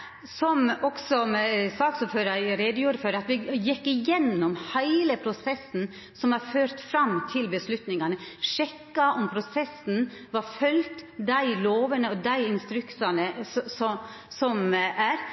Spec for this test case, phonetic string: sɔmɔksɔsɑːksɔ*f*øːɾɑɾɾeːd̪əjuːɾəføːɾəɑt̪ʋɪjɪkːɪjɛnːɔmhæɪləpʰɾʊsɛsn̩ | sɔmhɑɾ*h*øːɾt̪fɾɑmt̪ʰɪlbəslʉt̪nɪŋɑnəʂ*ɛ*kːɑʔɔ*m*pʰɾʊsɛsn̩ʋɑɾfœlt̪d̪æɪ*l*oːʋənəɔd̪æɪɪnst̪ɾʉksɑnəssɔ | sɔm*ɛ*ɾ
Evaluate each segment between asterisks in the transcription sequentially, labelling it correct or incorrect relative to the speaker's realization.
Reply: correct, incorrect, correct, correct, correct, incorrect

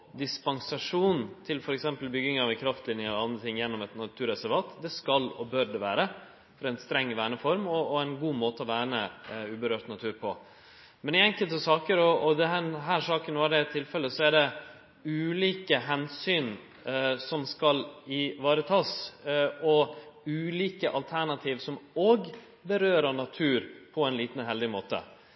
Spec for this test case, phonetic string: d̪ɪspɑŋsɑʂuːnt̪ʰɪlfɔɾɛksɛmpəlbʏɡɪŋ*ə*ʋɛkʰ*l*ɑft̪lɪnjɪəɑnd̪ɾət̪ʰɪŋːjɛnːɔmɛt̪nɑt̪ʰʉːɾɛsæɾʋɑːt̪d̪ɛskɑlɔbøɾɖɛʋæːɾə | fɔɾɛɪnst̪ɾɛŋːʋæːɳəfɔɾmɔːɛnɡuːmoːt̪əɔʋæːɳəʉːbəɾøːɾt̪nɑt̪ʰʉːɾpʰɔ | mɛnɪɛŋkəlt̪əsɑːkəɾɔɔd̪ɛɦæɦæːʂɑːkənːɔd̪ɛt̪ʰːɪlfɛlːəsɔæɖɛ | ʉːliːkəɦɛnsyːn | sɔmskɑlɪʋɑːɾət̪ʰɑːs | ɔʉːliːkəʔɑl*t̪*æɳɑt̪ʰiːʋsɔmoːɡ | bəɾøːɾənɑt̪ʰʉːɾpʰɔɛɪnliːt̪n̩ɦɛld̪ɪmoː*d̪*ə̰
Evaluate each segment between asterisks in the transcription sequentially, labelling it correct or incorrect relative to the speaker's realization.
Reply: incorrect, incorrect, incorrect, incorrect

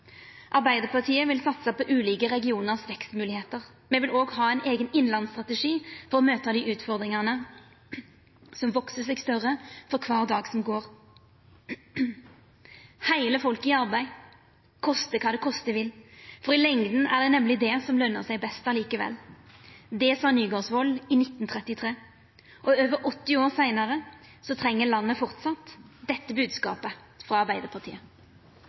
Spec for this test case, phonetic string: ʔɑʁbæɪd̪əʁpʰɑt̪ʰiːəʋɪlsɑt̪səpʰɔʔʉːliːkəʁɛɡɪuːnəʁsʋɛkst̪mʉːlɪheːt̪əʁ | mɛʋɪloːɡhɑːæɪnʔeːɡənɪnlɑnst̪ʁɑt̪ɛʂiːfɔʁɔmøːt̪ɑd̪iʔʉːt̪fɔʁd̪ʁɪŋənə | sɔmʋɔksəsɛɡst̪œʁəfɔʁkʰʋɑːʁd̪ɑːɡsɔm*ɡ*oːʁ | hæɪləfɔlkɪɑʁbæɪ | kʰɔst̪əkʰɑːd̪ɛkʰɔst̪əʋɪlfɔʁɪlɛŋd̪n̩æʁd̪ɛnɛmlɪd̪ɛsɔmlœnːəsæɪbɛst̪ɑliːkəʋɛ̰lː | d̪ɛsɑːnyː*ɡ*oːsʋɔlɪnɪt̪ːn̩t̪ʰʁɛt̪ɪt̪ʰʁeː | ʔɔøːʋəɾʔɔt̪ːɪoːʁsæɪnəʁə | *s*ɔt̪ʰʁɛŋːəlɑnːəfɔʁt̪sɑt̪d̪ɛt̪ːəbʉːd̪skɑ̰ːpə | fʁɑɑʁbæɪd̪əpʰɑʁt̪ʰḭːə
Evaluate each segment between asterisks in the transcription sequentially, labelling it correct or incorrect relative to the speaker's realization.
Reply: correct, correct, correct

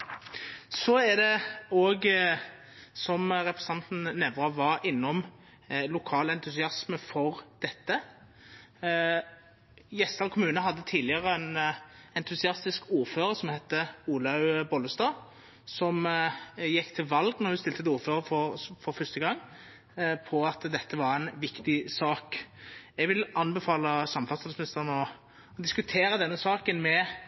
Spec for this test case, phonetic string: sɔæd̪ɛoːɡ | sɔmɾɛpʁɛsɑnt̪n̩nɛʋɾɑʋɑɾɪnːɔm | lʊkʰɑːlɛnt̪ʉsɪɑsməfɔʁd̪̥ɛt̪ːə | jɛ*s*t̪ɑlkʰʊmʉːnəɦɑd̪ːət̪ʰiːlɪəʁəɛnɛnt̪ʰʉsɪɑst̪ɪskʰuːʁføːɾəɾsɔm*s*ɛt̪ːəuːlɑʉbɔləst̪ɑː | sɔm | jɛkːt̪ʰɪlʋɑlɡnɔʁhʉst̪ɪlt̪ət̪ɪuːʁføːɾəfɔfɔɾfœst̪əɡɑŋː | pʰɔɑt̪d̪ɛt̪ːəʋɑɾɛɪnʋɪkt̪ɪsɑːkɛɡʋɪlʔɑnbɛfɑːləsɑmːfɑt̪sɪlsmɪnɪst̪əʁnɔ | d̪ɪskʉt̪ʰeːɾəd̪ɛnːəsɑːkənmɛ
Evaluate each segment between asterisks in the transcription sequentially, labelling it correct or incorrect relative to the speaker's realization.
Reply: correct, incorrect

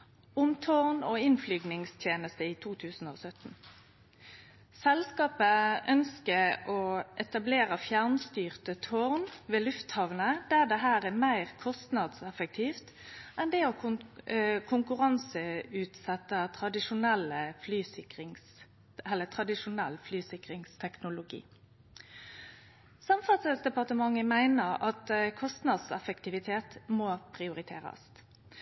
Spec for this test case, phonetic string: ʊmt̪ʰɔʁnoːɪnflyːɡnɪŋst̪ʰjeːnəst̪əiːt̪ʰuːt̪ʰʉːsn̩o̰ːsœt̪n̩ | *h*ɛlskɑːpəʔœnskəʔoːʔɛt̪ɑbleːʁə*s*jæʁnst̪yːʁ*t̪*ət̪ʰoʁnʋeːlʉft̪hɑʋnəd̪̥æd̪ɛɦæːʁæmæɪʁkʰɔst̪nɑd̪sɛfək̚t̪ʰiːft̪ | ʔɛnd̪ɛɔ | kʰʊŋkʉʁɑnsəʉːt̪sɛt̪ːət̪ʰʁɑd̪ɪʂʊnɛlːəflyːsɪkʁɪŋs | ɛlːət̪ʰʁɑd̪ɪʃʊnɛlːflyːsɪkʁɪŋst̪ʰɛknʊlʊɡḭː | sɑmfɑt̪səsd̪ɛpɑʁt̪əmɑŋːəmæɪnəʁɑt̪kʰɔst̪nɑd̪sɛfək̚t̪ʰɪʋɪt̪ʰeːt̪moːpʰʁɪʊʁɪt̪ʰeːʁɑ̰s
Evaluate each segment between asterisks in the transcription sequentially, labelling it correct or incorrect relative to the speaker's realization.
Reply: incorrect, incorrect, correct

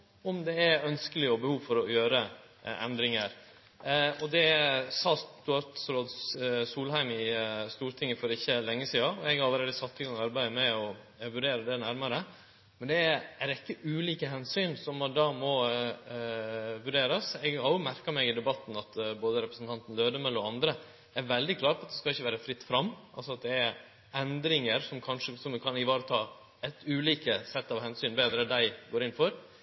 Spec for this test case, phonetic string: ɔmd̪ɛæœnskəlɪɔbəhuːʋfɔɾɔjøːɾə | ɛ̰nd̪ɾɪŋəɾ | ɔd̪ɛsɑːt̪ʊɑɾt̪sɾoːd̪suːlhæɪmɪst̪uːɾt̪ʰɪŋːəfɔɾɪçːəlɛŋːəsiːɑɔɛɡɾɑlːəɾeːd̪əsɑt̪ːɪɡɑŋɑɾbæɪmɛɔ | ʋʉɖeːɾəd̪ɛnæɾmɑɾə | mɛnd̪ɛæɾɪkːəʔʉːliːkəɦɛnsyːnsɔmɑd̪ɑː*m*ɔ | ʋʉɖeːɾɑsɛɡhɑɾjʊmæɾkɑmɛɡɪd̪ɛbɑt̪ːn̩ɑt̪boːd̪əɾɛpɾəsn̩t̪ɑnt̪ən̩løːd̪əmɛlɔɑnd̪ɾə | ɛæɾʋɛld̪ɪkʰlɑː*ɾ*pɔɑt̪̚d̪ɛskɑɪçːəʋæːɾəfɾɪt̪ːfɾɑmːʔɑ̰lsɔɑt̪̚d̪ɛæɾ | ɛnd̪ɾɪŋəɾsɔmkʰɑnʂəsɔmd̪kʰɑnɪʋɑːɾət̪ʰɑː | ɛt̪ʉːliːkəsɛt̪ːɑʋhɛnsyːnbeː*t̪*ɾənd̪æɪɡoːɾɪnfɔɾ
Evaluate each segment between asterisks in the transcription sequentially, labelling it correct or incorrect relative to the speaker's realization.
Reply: correct, correct, incorrect

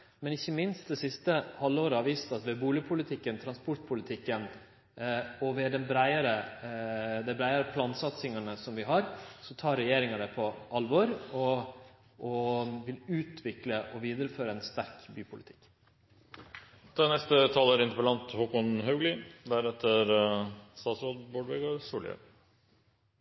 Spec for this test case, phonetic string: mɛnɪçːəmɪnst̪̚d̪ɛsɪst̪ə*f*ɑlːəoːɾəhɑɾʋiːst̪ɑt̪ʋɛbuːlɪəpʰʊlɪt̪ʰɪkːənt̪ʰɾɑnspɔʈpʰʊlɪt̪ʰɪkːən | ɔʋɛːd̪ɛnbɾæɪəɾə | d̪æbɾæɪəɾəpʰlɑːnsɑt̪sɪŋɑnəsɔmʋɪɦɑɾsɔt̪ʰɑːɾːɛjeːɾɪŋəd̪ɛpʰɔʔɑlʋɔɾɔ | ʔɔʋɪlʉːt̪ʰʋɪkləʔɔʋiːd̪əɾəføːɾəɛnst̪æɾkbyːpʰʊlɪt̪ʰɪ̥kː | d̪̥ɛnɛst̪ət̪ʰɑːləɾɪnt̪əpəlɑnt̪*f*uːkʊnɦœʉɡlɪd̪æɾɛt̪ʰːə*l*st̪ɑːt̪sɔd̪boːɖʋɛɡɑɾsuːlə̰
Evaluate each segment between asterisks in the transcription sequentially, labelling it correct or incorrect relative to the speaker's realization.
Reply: incorrect, incorrect, incorrect

